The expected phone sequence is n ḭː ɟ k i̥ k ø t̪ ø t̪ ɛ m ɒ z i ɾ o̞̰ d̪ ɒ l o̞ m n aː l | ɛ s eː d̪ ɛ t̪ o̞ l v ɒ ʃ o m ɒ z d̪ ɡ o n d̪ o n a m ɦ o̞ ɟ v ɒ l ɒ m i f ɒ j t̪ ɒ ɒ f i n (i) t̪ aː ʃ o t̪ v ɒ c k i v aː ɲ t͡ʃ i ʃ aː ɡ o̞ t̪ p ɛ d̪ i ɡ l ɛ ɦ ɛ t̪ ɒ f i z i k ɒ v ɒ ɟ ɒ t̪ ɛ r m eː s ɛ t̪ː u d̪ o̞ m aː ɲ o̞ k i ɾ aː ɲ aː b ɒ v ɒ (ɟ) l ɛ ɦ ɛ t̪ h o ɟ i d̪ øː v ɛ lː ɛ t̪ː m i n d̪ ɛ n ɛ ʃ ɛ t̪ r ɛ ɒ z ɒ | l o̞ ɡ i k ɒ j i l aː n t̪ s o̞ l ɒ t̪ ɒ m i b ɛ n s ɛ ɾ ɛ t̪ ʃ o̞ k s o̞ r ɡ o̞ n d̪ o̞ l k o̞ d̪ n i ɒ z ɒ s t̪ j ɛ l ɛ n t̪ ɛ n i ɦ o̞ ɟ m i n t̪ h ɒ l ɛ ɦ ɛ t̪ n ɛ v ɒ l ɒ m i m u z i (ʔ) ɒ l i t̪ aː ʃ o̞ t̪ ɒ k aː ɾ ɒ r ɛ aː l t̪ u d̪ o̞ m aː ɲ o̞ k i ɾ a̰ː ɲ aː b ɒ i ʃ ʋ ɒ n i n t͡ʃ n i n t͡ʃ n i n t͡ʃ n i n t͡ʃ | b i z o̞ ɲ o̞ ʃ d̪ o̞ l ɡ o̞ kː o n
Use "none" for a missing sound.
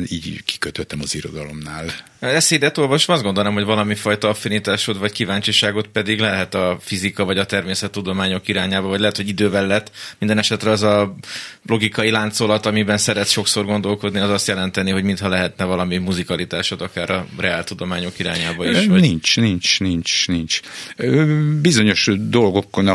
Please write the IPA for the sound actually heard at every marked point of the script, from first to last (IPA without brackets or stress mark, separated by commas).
i, ɟ, k